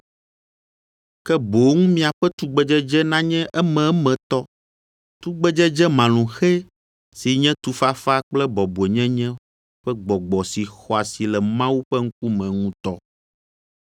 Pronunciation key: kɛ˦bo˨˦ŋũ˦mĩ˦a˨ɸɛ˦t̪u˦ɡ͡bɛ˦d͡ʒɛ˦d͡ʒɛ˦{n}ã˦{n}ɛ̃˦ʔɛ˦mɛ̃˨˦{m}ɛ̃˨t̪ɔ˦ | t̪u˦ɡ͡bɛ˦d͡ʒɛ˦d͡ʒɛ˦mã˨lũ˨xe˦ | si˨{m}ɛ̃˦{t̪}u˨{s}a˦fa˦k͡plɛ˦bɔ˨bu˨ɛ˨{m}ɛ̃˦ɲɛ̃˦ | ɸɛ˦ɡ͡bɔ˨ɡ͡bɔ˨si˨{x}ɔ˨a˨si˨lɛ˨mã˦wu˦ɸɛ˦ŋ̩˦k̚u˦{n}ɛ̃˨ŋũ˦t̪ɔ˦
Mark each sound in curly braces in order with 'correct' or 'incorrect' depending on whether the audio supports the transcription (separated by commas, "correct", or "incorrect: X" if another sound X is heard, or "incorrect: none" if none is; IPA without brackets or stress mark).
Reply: correct, incorrect: ɲ, correct, incorrect: ɲ, correct, incorrect: f, incorrect: ɲ, correct, incorrect: m